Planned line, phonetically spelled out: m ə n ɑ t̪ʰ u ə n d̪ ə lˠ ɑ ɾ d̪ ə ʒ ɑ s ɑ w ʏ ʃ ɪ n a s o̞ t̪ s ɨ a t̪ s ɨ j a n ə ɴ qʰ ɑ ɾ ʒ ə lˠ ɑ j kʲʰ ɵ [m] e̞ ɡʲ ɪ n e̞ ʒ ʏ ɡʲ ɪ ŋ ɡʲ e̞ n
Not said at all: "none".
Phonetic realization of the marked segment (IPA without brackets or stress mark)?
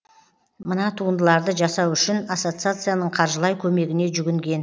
m